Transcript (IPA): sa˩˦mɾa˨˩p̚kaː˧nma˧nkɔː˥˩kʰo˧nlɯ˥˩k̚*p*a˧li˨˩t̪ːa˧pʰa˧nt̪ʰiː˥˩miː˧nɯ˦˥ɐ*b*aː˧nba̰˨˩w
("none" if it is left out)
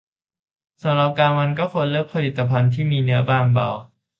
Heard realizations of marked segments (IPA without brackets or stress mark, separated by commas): pʰ, b